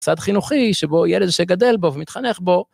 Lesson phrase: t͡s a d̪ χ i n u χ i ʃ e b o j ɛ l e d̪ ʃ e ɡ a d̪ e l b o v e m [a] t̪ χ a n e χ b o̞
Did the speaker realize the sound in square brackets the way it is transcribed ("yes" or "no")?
no